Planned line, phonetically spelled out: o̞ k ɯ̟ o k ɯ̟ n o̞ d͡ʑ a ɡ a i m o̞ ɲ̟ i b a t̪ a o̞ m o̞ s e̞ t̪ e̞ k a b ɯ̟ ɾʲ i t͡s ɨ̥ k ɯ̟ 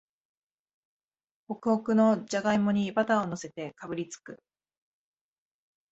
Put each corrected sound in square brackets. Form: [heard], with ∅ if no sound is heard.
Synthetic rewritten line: o̞ k ɯ̟ o k ɯ̟ n o̞ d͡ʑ a ɡ a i m o̞ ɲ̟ i b a t̪ a o̞ [n] o̞ s e̞ t̪ e̞ k a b ɯ̟ ɾʲ i t͡s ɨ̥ k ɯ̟